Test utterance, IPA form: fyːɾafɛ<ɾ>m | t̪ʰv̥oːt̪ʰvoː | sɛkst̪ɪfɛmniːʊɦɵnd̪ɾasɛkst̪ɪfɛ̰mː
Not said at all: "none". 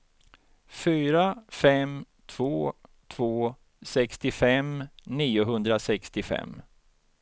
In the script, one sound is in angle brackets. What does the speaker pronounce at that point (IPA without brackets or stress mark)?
none